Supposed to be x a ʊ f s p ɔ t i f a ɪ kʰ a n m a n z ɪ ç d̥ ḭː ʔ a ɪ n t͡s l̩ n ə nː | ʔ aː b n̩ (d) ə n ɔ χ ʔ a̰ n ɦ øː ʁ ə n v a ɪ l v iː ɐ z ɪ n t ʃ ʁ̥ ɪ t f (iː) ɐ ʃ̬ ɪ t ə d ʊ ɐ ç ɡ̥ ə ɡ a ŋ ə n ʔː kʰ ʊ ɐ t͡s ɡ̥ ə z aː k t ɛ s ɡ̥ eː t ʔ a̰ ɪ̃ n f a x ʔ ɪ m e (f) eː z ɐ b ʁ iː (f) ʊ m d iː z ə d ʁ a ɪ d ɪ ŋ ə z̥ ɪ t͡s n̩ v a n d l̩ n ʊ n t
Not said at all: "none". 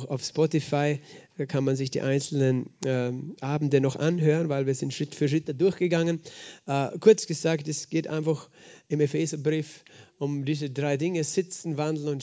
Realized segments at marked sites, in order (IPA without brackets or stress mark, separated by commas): d, yː, f, f